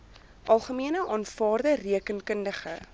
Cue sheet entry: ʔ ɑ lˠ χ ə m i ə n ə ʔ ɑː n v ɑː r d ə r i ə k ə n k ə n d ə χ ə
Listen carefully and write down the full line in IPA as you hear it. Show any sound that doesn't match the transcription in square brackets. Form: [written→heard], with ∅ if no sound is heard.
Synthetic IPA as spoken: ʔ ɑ lˠ χ ə m i ə n ə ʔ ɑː n [v→f] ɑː r d ə r i ə k ə n k ə n d ə χ ə